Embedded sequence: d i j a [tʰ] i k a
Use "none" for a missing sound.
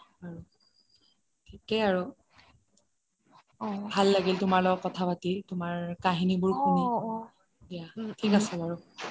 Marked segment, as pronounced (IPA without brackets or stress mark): tʰ